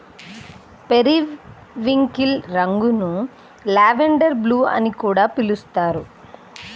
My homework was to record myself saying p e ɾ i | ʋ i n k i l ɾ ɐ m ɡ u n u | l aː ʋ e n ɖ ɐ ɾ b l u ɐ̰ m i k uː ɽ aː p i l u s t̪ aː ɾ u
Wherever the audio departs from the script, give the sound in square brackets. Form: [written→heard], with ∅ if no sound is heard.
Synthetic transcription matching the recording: p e ɾ i | ʋ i [n→ŋ] k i l ɾ ɐ [m→ŋ] ɡ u n u | l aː ʋ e [n→ɳ] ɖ ɐ ɾ b l [u→uː] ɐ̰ [m→n] i k uː ɽ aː p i l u s t̪ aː ɾ u